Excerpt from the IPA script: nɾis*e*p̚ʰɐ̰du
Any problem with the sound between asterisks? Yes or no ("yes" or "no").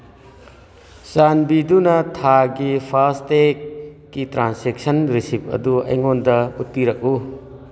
yes